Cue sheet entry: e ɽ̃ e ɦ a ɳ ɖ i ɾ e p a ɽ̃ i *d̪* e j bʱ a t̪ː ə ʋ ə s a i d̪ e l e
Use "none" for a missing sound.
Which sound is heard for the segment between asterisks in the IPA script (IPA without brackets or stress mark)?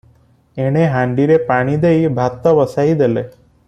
d̪